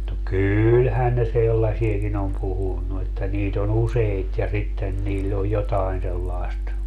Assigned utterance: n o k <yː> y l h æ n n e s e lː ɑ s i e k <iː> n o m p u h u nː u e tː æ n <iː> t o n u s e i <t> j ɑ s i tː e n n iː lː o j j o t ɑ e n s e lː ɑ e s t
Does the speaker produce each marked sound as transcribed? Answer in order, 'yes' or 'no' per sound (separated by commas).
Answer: yes, no, yes, yes